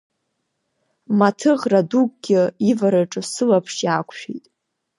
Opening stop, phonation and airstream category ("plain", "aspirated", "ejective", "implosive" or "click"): aspirated